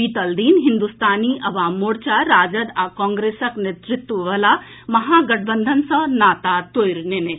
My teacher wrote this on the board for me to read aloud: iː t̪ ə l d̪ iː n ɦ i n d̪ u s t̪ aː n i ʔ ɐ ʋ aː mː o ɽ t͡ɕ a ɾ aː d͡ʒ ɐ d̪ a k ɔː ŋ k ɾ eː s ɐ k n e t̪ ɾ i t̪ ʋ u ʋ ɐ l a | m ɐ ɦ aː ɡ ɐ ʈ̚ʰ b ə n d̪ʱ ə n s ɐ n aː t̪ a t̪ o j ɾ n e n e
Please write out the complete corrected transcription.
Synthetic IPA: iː t̪ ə l d̪ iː n ɦ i n d̪ u s t̪ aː n i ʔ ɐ ʋ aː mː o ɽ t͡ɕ a ɾ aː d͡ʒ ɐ d̪ a k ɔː ŋ ɡ ɾ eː s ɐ k n e t̪ ɾ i t̪ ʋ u ʋ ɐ l a | m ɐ ɦ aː ɡ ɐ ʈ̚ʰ b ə n d̪ʱ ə n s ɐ n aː t̪ a t̪ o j ɾ n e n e

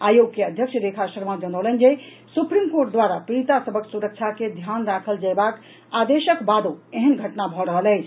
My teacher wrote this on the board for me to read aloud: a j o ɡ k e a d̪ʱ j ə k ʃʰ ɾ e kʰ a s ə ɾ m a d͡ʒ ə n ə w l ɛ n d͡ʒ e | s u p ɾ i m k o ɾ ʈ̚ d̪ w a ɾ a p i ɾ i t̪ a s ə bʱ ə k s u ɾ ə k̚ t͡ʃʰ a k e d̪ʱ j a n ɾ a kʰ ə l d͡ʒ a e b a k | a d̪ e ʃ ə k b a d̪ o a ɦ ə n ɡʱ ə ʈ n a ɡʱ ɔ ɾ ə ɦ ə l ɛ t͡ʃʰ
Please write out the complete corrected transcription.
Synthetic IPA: a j o ɡ k e ə d̪ʱ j ə k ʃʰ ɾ e kʰ a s ə ɾ m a d͡ʒ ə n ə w l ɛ n d͡ʒ e | s u p ɾ i m k o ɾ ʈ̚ d̪ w a ɾ a p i ɾ i t̪ a s ə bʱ ə k s u ɾ ə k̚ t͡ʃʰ a k e d̪ʱ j a n ɾ a kʰ ə l d͡ʒ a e b a k | a d̪ e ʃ ə k b a d̪ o e ɦ ə n ɡʱ ə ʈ n a bʱ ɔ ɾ ə ɦ ə l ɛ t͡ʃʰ

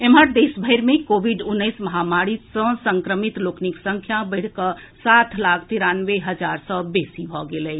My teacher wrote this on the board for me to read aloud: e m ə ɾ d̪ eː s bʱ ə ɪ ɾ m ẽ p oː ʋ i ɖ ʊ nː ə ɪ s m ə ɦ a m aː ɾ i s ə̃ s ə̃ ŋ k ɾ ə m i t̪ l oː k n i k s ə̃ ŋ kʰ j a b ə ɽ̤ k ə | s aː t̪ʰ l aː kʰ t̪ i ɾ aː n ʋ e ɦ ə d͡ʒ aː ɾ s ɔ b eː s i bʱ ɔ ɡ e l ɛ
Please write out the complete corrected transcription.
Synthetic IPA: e m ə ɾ d̪ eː s bʱ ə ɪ ɾ m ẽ k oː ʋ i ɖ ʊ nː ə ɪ s m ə ɦ a m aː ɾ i s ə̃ s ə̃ ŋ k ɾ ə m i t̪ l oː k n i k s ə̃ ŋ kʰ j a b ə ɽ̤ k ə | s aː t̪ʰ l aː kʰ t̪ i ɾ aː n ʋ e ɦ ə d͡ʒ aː ɾ s ɔ b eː s i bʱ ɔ ɡ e l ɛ

